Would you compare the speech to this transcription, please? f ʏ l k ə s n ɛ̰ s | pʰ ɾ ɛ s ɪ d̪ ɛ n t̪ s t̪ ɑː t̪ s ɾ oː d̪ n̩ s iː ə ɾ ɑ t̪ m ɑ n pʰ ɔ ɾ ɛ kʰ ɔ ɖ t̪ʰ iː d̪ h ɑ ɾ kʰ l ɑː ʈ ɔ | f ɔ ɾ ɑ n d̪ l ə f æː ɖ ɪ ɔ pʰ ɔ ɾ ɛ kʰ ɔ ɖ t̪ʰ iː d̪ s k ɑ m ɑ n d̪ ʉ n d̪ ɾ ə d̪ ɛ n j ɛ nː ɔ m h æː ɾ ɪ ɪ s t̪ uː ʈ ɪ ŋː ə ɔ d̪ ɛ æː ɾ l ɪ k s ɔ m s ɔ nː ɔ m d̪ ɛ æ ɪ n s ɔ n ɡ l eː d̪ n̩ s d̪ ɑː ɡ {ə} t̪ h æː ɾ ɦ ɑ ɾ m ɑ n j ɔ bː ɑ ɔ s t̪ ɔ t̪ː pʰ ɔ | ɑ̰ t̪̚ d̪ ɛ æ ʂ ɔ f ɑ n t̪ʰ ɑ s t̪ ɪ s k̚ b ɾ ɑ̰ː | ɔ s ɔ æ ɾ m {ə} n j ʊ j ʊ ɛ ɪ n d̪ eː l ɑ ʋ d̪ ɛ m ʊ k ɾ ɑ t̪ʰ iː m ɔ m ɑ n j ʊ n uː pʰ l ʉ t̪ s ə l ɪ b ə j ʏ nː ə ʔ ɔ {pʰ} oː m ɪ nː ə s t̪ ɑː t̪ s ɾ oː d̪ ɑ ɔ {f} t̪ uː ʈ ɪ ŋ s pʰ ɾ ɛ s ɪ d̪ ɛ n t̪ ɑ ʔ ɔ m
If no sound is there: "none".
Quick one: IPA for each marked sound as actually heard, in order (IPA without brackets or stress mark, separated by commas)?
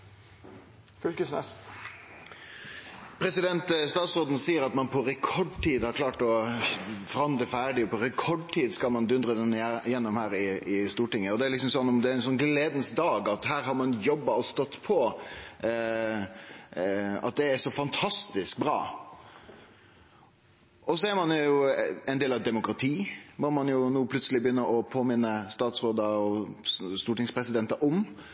ɑ, ɑ, pʰ, s